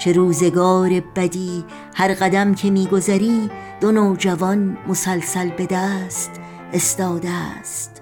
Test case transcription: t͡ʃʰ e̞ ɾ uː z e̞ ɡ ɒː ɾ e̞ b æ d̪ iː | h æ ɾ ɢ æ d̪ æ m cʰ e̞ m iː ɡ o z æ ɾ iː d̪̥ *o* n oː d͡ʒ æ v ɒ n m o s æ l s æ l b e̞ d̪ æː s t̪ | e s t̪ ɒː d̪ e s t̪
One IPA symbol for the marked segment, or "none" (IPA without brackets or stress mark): o